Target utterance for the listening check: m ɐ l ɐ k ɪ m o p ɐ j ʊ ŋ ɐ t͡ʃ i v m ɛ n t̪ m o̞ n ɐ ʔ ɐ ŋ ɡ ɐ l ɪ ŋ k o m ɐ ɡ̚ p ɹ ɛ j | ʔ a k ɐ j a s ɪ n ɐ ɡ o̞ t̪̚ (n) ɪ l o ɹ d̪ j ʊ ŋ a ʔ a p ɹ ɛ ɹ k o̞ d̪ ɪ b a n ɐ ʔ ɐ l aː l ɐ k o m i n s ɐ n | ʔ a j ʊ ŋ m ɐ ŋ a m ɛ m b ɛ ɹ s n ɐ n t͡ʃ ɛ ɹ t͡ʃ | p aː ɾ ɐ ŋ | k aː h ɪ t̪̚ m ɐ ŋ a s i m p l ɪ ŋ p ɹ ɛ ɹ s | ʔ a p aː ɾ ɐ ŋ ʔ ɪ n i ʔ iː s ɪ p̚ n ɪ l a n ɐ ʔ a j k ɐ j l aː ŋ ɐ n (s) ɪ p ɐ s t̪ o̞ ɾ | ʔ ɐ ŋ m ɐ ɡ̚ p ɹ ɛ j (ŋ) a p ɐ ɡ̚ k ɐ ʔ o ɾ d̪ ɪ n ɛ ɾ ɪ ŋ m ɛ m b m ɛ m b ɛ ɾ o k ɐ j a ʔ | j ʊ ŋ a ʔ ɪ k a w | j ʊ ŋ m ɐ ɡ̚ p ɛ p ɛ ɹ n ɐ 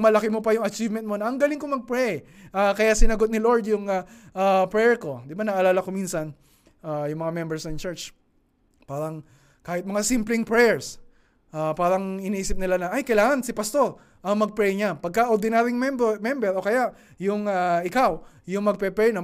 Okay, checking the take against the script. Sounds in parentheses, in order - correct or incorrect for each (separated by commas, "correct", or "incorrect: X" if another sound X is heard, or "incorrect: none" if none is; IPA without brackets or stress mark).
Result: correct, correct, incorrect: ɲ